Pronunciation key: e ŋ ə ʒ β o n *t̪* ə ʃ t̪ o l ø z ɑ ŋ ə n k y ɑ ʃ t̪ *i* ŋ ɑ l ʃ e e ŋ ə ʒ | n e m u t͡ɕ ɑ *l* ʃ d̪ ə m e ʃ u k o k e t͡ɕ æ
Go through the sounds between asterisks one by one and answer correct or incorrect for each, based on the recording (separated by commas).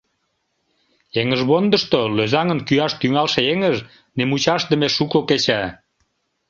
incorrect, incorrect, incorrect